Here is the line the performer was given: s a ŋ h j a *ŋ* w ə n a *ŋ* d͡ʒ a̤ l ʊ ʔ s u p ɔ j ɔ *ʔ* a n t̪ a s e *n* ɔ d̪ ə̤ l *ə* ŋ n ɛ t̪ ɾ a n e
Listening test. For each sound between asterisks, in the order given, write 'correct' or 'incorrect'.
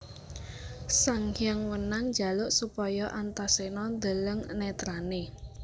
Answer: correct, correct, correct, correct, correct

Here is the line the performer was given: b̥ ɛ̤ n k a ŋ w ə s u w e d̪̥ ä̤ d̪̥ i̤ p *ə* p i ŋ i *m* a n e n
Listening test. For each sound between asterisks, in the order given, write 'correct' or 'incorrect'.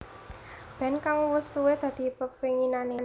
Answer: correct, incorrect

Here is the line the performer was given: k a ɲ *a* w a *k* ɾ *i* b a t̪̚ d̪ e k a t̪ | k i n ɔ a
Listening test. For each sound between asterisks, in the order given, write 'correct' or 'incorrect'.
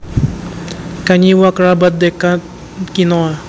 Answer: incorrect, correct, incorrect

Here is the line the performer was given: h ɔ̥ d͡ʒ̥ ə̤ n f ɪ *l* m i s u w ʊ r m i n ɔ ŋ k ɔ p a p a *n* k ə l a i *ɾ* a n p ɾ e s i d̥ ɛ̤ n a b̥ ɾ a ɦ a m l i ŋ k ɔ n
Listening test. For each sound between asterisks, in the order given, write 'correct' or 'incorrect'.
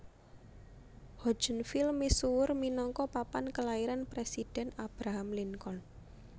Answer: correct, correct, correct

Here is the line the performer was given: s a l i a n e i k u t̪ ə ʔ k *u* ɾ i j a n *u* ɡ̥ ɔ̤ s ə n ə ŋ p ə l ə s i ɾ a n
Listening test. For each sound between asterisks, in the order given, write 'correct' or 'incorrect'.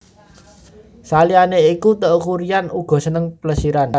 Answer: correct, correct

